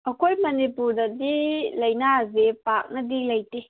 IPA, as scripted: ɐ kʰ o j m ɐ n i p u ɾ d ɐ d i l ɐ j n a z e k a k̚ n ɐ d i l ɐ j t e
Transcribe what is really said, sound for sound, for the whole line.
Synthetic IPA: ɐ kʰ o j m ɐ n i p u ɾ d ɐ d i l ɐ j n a z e p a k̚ n ɐ d i l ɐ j t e

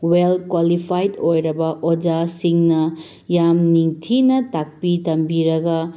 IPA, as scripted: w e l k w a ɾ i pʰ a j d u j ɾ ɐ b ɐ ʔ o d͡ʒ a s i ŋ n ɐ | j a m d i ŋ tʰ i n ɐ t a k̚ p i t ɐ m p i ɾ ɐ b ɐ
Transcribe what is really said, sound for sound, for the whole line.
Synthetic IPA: w e l k w a l i pʰ a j d o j ɾ ɐ b ɐ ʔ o d͡ʒ a s i ŋ n ɐ | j a m n i ŋ tʰ i n ɐ t a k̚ p i t ɐ m b i ɾ ɐ ɡ ɐ

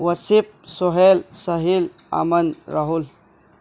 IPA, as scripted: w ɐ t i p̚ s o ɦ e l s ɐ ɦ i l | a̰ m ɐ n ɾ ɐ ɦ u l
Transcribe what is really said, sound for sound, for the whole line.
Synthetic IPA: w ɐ s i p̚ s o ɦ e l s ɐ ɦ i l | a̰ m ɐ n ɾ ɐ ɦ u l

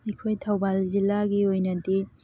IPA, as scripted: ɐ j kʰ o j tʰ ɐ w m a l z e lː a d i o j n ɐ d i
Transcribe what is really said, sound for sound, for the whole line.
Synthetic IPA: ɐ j kʰ o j tʰ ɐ w b a l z i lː a ɡ i o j n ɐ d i

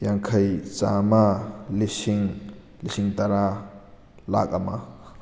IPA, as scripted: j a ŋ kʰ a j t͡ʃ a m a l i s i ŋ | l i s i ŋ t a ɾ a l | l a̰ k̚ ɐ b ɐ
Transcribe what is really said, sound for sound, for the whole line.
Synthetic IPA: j a ŋ kʰ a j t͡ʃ a m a l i s i ŋ | l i s i ŋ t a ɾ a | l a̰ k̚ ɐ m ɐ

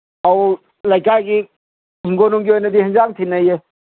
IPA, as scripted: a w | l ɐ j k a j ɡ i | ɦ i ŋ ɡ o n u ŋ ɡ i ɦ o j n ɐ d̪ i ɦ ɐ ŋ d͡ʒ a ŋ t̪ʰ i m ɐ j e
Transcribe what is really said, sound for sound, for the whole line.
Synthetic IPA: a w | l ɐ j k a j ɡ i | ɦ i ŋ ɡ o n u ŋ ɡ i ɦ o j n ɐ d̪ i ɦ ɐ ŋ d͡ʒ a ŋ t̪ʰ i n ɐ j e

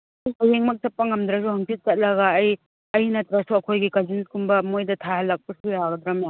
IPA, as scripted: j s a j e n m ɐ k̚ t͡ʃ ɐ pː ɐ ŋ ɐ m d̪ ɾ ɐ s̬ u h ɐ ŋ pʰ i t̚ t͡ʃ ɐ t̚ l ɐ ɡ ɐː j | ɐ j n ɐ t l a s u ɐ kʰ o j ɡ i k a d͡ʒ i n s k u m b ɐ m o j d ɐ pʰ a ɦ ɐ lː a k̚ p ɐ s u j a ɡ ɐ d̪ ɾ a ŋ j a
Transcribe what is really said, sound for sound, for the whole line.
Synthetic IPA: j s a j e ŋ m ɐ k̚ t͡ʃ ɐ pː ɐ ŋ ɐ m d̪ ɾ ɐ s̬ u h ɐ ŋ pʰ i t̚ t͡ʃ ɐ t̚ l ɐ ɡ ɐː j | ɐ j n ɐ t ɾ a s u ɐ kʰ o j ɡ i k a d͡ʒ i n s k u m b ɐ m o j d ɐ tʰ a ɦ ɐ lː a k̚ p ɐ s u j a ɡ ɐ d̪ ɾ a m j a

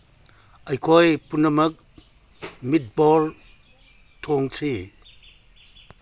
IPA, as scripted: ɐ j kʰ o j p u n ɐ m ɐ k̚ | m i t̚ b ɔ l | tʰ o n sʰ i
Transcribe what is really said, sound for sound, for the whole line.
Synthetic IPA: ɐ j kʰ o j p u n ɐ m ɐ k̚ | m i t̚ b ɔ l | tʰ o ŋ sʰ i

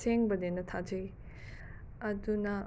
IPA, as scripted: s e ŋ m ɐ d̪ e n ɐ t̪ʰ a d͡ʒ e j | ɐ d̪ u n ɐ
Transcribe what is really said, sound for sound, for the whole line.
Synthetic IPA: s e ŋ b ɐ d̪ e n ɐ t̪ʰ a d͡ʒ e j | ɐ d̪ u n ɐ

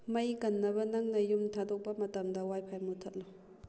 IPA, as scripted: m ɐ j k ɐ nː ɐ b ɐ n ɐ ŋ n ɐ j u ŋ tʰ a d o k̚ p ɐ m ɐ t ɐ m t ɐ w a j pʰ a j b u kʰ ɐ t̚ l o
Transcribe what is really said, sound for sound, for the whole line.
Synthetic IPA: m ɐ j k ɐ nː ɐ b ɐ n ɐ ŋ n ɐ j u m tʰ a d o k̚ p ɐ m ɐ t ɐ m d ɐ w a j pʰ a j m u tʰ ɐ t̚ l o

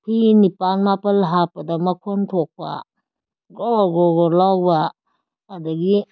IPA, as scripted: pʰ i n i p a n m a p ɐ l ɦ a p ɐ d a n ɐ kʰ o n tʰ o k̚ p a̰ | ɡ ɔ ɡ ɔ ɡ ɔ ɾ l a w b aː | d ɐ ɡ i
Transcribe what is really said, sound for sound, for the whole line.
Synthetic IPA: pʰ i n i p a n m a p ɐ l ɦ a p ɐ d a m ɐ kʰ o n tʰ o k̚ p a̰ | ɡ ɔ ɡ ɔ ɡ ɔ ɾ l a w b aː | d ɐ ɡ i

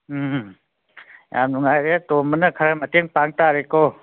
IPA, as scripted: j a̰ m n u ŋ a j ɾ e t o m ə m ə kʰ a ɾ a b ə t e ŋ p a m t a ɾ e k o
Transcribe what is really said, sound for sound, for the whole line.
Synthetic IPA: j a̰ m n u ŋ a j ɾ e t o m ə n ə kʰ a ɾ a m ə t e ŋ p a ŋ t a ɾ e k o

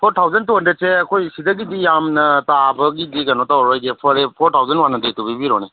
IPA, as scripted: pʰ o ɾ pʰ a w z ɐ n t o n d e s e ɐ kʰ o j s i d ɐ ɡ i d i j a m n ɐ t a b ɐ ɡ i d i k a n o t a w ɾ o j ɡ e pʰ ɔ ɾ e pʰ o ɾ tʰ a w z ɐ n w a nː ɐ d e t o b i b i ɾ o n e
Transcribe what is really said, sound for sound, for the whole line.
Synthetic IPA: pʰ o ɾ tʰ a w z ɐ n t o n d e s e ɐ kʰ o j s i d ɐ ɡ i d i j a m n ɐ t a b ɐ ɡ i d i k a n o t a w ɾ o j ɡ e pʰ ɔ ɾ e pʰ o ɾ tʰ a w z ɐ n w a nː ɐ d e t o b i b i ɾ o n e

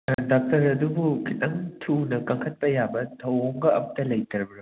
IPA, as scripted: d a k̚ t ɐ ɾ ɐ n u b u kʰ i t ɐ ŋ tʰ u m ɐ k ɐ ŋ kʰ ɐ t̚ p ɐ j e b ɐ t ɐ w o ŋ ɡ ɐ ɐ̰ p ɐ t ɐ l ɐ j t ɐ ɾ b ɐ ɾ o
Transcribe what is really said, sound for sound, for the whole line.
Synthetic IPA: d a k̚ t ɐ ɾ ɐ d u b u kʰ i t ɐ ŋ tʰ u n ɐ k ɐ ŋ kʰ ɐ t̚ p ɐ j a b ɐ tʰ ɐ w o ŋ ɡ ɐ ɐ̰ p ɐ t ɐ l ɐ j t ɐ ɾ b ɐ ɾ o

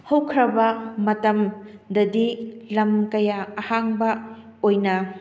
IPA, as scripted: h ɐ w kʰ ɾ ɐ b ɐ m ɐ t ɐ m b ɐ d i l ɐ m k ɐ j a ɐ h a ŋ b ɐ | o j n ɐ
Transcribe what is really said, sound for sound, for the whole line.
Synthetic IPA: h ɐ w kʰ ɾ ɐ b ɐ m ɐ t ɐ m d ɐ d i l ɐ m k ɐ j a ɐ h a ŋ b ɐ | o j n ɐ

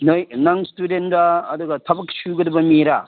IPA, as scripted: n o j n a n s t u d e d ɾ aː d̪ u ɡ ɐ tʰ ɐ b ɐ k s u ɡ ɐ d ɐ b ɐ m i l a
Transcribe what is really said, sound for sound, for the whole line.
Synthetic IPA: n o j n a ŋ s t u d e n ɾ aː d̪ u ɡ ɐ tʰ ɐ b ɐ k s u ɡ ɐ d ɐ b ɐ m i ɾ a

